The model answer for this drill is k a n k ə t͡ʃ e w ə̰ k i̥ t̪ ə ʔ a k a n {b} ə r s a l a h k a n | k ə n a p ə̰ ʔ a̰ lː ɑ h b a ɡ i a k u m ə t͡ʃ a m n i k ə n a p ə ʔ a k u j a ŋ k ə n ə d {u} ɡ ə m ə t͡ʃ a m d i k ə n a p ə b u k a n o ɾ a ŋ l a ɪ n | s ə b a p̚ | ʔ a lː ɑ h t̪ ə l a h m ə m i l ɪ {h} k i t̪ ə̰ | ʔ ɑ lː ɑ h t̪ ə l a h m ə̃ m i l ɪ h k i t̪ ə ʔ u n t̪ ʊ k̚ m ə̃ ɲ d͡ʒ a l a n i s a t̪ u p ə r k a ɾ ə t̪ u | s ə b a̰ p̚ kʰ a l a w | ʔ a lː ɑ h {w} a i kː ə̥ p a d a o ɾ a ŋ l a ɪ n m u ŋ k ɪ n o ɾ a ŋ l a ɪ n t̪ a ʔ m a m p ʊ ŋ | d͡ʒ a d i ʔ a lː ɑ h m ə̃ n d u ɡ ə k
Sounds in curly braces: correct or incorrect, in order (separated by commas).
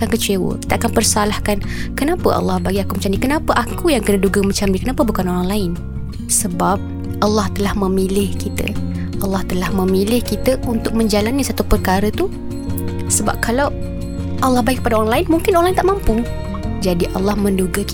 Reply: incorrect, correct, correct, incorrect